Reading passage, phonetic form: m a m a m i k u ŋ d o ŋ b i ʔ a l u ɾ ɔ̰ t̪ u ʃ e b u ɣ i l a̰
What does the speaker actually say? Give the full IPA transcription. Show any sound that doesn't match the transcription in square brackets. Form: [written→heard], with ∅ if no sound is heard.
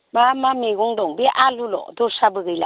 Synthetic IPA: m a m a m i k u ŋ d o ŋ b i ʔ a l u [ɾ→l] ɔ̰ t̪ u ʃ [e→a] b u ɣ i l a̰